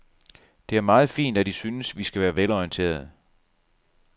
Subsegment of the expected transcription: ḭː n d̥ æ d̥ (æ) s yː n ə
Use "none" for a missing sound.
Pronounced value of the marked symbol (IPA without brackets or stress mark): i